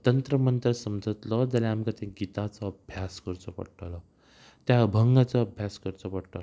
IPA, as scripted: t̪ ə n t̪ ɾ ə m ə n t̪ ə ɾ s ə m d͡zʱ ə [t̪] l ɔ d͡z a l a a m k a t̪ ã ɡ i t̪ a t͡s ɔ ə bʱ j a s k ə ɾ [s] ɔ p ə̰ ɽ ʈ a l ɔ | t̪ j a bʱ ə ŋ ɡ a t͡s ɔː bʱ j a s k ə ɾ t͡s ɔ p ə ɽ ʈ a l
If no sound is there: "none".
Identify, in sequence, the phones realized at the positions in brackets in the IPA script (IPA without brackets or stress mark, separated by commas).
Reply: t̪, t͡s